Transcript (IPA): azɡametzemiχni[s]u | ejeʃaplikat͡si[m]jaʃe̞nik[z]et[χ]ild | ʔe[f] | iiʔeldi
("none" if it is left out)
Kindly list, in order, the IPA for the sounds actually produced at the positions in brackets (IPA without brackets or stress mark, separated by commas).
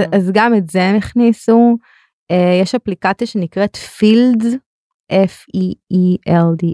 s, none, ʁ, f, f